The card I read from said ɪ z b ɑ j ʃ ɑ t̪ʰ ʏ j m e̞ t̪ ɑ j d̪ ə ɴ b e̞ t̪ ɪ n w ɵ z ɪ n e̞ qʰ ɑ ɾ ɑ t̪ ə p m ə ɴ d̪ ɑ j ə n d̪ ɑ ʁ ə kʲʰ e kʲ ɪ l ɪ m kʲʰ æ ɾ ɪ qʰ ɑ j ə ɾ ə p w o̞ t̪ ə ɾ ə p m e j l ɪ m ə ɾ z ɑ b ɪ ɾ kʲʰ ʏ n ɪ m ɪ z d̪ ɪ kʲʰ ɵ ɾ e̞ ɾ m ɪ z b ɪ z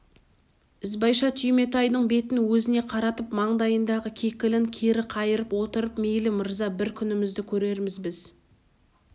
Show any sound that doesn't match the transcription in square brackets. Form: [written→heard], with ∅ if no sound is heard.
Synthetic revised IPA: ɪ z b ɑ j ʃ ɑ t̪ʰ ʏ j m e̞ t̪ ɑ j d̪ ə ɴ b e̞ t̪ ɪ n w ɵ z ɪ n e̞ qʰ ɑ ɾ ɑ t̪ ə p m [ə→ɑ] ɴ d̪ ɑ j ə n d̪ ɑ ʁ ə kʲʰ e kʲ ɪ l ɪ [m→ŋ] kʲʰ [æ→e] ɾ ɪ qʰ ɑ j ə ɾ ə p w o̞ t̪ ə ɾ ə p m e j l ɪ m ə ɾ z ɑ b ɪ ɾ kʲʰ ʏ n ɪ m ɪ z d̪ ɪ kʲʰ ɵ ɾ e̞ ɾ m ɪ z b ɪ z